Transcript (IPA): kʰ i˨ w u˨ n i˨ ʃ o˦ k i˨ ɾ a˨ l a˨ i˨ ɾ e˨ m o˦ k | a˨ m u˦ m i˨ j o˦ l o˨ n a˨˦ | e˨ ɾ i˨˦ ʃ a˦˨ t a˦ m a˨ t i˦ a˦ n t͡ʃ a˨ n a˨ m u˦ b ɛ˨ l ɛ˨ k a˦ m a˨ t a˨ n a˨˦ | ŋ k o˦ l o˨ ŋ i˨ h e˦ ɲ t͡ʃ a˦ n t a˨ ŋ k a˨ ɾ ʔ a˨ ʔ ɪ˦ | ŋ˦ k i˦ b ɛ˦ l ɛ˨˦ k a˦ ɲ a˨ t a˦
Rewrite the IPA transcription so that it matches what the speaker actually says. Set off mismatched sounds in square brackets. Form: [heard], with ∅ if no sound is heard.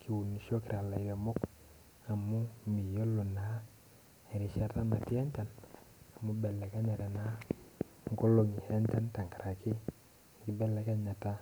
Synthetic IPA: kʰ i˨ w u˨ n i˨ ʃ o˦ k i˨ ɾ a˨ l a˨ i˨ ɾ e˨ m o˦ k | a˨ m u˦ m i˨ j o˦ l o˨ n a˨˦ | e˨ ɾ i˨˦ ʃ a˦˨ t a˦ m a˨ t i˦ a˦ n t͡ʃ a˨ n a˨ m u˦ b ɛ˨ l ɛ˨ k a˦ [ɲ] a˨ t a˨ n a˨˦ | ŋ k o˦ l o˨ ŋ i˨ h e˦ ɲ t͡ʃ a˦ n t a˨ ŋ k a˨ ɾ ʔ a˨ [k] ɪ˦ | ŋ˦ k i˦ b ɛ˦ l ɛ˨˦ k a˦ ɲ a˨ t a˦

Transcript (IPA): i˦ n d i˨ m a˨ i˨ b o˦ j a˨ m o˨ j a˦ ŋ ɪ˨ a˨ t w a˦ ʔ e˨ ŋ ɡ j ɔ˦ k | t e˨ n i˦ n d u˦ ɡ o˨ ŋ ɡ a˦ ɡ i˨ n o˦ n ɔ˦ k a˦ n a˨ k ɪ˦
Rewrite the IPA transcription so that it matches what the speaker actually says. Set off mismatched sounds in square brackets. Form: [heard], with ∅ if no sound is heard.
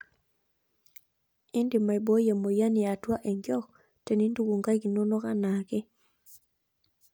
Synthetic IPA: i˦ n d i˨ m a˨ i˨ b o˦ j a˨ m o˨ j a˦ [n] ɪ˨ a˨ t w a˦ ʔ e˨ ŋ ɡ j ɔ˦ k | t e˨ n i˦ n d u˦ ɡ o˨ ŋ ɡ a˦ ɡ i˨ n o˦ n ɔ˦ k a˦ n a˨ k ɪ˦

